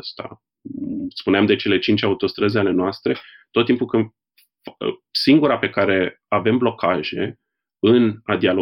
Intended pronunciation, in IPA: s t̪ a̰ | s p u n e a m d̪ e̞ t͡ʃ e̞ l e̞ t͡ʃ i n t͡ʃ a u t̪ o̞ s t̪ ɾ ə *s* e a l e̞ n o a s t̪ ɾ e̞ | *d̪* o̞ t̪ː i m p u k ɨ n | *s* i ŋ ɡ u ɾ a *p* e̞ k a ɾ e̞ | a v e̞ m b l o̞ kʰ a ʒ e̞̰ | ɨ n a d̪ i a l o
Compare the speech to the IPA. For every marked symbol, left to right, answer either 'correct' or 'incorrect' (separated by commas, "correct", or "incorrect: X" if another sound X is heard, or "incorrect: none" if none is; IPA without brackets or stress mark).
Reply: incorrect: z, incorrect: t̪, correct, correct